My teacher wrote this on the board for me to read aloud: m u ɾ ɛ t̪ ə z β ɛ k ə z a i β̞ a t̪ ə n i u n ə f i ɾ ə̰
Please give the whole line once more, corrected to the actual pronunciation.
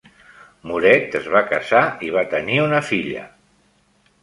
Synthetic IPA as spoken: m u ɾ ɛ t̪ ə z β a k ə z a i β̞ a t̪ ə n i u n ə f i ʎ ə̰